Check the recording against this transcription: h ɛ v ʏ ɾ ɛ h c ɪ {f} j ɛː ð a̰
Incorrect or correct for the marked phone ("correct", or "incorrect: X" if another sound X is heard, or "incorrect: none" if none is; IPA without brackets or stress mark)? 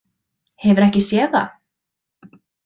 incorrect: s